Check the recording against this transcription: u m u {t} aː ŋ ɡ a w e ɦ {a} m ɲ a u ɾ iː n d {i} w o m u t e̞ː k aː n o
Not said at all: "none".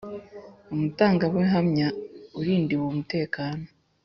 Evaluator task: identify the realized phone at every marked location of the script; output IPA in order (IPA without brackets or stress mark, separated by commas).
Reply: t, a, i